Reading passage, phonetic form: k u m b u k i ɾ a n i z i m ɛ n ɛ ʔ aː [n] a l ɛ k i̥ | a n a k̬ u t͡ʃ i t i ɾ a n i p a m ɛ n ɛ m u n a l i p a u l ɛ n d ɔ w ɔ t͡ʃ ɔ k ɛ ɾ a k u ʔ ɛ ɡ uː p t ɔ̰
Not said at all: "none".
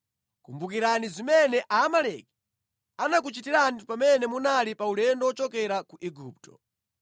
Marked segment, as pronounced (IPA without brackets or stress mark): m